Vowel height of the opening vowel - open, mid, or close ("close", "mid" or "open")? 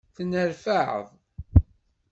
mid